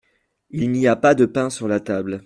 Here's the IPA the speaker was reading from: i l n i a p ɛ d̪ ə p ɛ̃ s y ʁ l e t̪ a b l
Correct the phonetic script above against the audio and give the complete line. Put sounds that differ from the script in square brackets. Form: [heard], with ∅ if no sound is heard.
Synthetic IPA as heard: i l n i a p [a] d̪ ə p ɛ̃ s y ʁ l [a] t̪ a b l